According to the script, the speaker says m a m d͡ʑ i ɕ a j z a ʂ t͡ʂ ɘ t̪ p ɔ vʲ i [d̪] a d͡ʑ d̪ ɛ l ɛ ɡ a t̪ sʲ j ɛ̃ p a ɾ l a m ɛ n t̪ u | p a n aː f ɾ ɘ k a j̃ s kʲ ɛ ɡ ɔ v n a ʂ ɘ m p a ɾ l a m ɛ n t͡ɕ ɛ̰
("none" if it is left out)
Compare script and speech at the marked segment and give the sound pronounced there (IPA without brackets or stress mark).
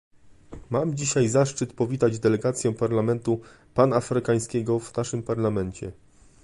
t̪